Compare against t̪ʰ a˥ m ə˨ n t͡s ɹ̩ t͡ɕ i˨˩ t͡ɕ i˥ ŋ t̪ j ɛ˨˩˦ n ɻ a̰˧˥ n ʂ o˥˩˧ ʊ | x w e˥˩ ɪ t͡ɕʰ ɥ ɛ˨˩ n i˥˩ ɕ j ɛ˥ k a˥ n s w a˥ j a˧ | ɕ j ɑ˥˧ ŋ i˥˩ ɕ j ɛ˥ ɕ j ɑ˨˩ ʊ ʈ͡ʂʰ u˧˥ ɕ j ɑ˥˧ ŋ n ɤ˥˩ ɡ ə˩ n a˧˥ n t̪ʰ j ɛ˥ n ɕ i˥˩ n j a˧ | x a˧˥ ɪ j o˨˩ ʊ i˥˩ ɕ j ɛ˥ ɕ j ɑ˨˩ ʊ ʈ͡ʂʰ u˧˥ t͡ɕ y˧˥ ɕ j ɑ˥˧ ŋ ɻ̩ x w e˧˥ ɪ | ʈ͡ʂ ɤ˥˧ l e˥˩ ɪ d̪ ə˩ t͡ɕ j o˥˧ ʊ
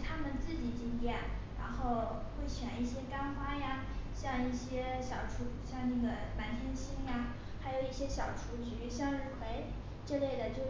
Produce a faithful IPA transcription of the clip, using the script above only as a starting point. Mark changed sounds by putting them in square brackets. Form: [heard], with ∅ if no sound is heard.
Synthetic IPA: t̪ʰ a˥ m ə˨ n t͡s ɹ̩ t͡ɕ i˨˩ t͡ɕ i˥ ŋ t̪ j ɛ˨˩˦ n ɻ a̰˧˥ n [x] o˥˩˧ ʊ | x w e˥˩ ɪ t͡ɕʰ ɥ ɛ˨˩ n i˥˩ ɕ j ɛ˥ k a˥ n [x] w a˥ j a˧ | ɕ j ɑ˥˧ ŋ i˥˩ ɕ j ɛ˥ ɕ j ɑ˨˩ ʊ ʈ͡ʂʰ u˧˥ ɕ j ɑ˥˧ ŋ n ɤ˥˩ ɡ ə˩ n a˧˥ n t̪ʰ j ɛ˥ n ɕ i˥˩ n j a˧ | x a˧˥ ɪ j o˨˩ ʊ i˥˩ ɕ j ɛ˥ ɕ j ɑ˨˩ ʊ ʈ͡ʂʰ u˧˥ t͡ɕ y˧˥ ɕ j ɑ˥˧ ŋ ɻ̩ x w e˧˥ ɪ | ʈ͡ʂ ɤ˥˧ l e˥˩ ɪ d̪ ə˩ t͡ɕ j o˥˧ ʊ